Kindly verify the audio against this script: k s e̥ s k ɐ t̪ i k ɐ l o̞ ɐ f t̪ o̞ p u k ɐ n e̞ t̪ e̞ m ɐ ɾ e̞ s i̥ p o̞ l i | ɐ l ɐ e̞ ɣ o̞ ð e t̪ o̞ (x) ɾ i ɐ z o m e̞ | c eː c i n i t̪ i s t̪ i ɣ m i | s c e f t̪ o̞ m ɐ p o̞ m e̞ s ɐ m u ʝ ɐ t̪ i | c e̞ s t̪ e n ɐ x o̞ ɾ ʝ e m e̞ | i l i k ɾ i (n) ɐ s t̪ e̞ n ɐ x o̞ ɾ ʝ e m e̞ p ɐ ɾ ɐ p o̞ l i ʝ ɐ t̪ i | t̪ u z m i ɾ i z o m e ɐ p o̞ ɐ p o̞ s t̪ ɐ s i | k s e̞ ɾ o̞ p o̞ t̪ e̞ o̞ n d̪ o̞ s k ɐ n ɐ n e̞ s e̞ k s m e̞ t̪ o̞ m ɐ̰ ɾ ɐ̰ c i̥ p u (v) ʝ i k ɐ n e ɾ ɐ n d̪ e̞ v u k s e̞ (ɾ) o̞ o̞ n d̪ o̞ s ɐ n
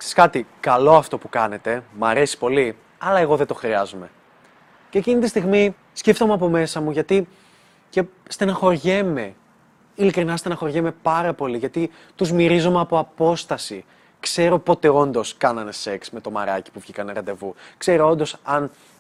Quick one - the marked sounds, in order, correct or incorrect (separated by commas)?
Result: correct, correct, correct, correct